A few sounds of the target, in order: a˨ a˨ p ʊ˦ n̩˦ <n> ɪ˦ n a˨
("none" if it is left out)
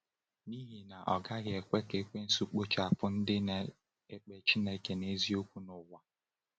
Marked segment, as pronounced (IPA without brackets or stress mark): d